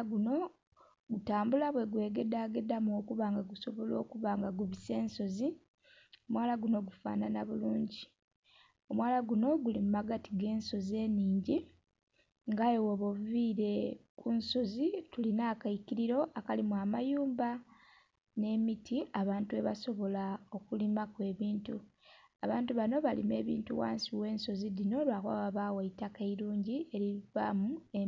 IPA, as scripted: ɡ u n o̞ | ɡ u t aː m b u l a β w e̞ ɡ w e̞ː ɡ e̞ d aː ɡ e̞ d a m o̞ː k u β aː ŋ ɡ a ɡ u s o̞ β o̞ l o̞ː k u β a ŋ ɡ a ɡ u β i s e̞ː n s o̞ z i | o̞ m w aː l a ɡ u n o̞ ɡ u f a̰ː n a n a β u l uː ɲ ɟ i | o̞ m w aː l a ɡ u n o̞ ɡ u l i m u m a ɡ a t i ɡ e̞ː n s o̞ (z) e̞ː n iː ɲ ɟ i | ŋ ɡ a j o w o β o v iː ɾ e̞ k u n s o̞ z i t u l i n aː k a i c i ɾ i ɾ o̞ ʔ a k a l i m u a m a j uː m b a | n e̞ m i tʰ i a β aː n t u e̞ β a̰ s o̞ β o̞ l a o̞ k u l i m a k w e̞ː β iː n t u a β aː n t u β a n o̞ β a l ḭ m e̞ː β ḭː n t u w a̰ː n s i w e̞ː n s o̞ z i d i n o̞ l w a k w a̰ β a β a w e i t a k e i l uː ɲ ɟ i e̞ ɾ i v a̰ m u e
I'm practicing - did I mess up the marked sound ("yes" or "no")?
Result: no